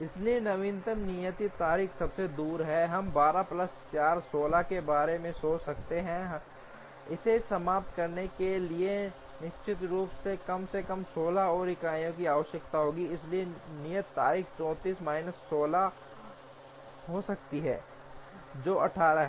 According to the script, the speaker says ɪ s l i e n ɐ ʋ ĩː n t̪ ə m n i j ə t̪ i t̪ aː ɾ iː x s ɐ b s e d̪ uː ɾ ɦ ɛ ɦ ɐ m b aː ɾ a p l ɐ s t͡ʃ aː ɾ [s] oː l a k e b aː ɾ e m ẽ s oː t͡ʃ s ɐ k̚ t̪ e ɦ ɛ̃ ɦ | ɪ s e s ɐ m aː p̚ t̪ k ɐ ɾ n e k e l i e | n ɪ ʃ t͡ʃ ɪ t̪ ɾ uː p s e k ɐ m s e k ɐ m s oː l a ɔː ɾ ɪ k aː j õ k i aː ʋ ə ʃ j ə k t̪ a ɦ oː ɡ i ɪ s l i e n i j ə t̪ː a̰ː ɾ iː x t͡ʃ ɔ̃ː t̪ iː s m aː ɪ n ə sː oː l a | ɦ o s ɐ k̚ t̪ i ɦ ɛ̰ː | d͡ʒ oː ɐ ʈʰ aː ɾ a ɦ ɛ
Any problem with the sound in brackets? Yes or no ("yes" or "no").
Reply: no